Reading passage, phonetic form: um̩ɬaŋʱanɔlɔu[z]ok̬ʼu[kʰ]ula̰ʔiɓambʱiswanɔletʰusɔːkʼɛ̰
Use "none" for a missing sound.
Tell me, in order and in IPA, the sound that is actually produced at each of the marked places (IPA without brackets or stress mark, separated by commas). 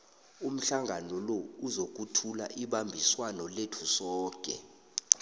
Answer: z, tʰ